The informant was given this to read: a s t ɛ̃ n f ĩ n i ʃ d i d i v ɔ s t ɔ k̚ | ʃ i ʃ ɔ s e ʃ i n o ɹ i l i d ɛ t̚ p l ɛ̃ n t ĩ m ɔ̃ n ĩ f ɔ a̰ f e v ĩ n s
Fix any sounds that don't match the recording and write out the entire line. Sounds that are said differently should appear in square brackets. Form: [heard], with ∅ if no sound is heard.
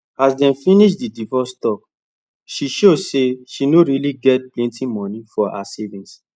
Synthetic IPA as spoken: a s [d] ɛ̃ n f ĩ n i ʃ d i d i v ɔ s t ɔ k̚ | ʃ i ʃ [o] s e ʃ i n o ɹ i l i [ɡ] ɛ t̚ p l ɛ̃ n t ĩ m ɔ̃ n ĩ f ɔ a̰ [s] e v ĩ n s